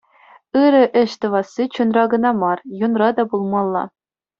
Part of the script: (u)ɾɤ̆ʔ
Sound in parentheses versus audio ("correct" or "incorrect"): incorrect